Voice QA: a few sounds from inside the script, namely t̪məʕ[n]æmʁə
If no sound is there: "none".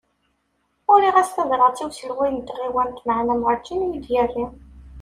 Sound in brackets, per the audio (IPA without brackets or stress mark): n